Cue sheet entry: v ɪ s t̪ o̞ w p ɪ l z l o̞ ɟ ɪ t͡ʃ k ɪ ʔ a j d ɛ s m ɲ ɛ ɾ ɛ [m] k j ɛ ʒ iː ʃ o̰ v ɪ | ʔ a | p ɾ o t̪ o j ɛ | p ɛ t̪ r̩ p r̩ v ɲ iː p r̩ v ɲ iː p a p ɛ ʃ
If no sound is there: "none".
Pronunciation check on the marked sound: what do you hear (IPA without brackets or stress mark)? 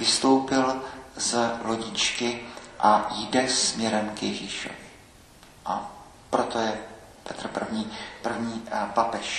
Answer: m